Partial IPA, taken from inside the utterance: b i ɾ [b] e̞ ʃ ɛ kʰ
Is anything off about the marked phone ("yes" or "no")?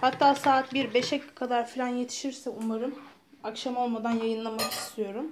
no